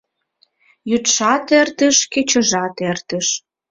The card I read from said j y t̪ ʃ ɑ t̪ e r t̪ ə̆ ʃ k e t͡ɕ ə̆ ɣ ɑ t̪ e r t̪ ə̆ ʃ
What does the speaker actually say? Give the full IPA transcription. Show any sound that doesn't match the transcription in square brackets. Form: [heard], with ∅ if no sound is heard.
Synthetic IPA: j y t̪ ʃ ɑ t̪ e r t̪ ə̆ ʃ k e t͡ɕ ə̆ [ʒ] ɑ t̪ e r t̪ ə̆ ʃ

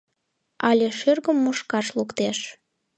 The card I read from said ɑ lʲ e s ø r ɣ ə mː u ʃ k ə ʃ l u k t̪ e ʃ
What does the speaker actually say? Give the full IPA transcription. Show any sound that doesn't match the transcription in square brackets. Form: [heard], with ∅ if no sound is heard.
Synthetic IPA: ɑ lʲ e [ʃ] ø r ɣ ə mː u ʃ k [ɑ] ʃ l u k t̪ e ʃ

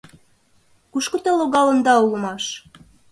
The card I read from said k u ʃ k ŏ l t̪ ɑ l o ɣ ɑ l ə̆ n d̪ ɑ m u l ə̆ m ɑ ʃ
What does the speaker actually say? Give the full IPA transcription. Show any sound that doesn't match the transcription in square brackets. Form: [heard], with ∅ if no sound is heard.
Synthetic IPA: k u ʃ k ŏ [∅] t̪ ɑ l o ɣ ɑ l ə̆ n d̪ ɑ [∅] u l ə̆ m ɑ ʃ

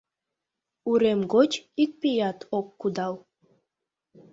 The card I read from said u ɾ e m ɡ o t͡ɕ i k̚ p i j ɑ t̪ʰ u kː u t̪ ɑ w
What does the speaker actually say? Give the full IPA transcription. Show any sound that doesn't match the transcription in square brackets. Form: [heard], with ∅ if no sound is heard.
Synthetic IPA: u ɾ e m ɡ o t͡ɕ i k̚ p i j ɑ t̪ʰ [o] kː u [d̪] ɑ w

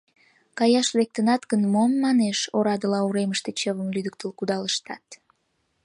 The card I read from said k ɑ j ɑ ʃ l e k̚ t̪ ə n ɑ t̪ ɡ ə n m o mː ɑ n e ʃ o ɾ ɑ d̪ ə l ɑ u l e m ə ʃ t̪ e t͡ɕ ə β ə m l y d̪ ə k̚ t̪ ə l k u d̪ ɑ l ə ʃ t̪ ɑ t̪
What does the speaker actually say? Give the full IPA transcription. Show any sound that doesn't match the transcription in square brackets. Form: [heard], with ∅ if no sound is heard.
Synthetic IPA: k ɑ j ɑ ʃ l e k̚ t̪ ə n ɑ t̪ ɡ ə n m o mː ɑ n e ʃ o ɾ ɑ d̪ ə l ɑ u [ɾ] e m ə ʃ t̪ e t͡ɕ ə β ə m l y d̪ ə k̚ t̪ ə l k u d̪ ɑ l ə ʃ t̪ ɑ t̪

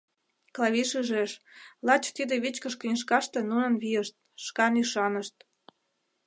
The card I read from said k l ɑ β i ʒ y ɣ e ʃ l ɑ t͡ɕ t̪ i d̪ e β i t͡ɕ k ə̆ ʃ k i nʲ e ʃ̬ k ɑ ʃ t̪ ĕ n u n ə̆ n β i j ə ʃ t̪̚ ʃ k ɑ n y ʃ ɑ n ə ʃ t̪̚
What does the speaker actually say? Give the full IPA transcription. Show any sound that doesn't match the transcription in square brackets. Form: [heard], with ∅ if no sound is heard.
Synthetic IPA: k l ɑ β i [ʃ] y [ʒ] e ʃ l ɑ t͡ɕ t̪ i d̪ e β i t͡ɕ k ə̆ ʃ k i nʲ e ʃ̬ k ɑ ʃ t̪ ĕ n u n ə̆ n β i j ə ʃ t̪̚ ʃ k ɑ n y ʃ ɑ n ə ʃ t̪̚

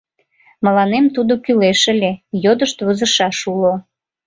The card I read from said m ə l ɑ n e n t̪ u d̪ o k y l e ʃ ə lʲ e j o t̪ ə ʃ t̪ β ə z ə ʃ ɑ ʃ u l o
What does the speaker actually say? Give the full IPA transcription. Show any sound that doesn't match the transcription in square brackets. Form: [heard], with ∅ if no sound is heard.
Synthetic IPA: m ə l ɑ n e [m] t̪ u d̪ o k y l e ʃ ə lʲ e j o [d̪] ə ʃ t̪ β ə z ə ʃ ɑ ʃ u l o

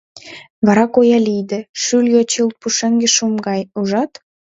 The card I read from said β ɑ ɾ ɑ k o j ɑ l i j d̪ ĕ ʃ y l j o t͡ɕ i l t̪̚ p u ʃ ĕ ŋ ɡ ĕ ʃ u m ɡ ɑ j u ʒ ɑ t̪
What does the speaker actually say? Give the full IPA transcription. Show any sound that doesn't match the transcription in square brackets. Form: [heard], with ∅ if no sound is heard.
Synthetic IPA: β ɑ ɾ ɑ k o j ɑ l i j d̪ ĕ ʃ y l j o t͡ɕ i l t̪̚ p u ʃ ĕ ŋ ɡ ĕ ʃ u m ɡ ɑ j u ʒ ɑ t̪

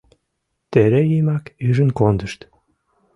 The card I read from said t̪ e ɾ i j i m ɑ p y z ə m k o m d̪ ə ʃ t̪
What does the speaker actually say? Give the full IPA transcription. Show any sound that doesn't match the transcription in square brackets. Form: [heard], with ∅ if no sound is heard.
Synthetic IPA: t̪ e ɾ [e] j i m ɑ [k] y [ʒ] ə [n] k o [n] d̪ ə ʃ t̪

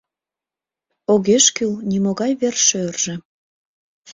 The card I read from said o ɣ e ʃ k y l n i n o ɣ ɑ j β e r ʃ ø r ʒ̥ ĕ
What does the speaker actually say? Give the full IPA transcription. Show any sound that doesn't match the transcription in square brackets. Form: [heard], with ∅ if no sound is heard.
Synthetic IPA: o ɣ e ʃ k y l n i [m] o ɣ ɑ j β e r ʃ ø r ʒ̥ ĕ

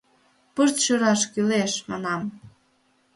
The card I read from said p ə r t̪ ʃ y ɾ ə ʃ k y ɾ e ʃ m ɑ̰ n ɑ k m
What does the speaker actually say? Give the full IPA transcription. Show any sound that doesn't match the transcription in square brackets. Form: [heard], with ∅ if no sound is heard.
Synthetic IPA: p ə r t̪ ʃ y ɾ [ɑ] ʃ k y [l] e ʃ m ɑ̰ n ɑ [∅] m

